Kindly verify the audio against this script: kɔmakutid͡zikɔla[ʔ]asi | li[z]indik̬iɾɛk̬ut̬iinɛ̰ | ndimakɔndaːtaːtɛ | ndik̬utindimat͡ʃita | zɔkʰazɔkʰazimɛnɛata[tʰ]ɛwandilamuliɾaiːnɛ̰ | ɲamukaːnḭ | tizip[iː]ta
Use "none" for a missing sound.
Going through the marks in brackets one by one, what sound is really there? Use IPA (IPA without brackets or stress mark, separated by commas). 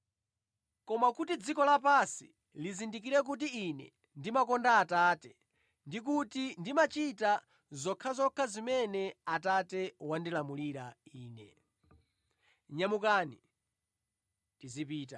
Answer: p, z, t, iː